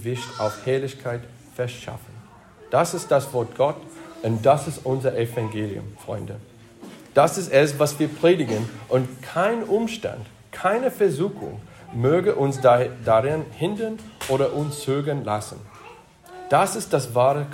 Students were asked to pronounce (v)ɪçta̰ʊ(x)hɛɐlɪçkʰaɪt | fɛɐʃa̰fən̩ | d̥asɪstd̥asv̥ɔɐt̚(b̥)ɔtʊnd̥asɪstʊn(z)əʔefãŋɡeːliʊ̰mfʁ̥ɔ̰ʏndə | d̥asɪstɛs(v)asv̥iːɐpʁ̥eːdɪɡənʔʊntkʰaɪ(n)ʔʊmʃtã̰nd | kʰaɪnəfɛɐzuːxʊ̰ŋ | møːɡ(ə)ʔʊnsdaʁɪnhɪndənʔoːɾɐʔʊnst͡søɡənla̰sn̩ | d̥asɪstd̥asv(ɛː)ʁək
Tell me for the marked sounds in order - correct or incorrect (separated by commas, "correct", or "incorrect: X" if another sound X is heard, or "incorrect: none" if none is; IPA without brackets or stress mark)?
correct, incorrect: f, incorrect: ɡ̥, correct, correct, correct, correct, incorrect: aː